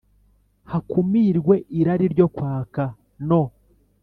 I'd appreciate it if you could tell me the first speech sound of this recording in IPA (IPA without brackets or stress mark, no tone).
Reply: h